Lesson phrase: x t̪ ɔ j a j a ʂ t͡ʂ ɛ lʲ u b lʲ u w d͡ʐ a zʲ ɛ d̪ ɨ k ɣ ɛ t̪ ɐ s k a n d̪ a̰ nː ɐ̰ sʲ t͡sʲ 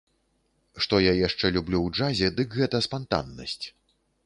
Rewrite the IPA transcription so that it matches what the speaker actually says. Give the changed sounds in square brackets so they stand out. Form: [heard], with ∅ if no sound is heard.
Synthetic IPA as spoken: [ʂ] t̪ ɔ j a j a ʂ t͡ʂ ɛ lʲ u b lʲ u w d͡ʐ a zʲ ɛ d̪ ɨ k ɣ ɛ t̪ ɐ s [p] a n [t̪] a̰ nː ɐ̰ sʲ t͡sʲ